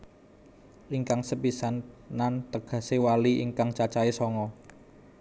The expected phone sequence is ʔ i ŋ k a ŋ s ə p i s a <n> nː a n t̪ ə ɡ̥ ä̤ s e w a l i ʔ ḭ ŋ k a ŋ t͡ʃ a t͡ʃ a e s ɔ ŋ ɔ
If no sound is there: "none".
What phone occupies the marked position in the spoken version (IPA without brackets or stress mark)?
n